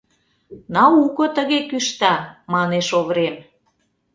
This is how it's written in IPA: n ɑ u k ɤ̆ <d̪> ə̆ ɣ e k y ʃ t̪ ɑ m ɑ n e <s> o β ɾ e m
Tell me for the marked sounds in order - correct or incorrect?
incorrect, incorrect

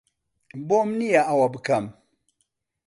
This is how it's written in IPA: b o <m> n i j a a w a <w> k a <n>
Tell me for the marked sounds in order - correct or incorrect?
correct, incorrect, incorrect

